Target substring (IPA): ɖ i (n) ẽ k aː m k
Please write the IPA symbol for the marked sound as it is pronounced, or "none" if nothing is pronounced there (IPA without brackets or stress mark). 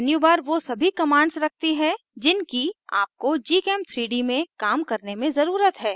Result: m